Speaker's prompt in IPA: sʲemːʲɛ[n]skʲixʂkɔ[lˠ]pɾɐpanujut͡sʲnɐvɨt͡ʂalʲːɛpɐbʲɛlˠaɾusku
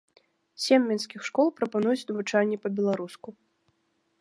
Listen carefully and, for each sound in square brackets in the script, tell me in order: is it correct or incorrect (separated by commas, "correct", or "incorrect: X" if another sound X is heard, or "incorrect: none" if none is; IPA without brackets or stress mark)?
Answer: correct, correct